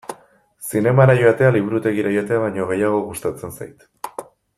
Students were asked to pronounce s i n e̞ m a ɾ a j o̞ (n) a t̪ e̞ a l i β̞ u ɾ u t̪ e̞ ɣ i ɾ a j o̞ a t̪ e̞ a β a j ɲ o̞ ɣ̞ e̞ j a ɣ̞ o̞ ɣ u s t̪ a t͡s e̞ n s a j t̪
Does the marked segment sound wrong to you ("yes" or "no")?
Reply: yes